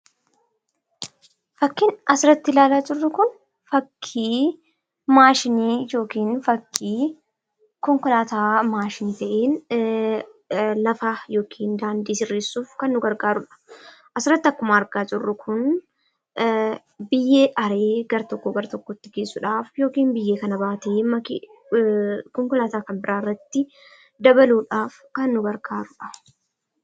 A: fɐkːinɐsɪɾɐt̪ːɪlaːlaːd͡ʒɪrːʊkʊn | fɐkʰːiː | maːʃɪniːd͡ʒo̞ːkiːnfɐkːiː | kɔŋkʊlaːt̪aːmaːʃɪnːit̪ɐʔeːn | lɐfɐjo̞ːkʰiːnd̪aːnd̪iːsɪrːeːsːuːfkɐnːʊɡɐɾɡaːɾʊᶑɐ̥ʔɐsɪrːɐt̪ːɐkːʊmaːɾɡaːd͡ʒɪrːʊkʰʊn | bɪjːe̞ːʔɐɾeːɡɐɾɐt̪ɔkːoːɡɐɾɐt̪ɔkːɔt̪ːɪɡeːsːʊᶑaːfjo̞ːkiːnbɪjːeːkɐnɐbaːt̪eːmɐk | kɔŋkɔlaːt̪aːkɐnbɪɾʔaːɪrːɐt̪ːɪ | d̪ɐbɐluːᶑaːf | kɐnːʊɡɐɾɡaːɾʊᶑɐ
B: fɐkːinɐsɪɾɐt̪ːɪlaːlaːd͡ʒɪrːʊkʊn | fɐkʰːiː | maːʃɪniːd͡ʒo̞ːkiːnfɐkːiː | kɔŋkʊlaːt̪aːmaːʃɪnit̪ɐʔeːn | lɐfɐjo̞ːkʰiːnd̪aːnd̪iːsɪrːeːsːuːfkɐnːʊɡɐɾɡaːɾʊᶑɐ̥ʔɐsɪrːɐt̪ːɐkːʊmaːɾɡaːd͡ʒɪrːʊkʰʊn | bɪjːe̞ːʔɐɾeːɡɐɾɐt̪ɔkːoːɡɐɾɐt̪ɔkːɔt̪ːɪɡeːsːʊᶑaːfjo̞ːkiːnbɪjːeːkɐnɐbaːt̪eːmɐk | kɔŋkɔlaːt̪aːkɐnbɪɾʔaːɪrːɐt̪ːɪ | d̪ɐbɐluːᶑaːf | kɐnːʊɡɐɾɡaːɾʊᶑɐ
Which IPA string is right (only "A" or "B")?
B